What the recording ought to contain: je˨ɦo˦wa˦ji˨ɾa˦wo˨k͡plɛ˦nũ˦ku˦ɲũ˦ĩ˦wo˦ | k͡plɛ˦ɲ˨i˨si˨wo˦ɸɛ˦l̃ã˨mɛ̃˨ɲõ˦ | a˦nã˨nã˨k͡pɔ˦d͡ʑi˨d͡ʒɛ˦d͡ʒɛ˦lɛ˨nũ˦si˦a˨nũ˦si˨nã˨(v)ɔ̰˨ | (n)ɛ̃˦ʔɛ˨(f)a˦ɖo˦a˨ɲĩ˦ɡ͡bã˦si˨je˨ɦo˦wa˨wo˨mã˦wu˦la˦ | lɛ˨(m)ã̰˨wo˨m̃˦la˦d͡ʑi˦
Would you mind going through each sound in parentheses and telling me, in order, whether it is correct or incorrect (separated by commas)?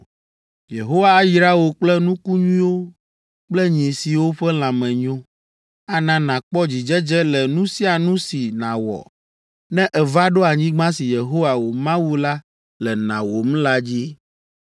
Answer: incorrect, correct, incorrect, incorrect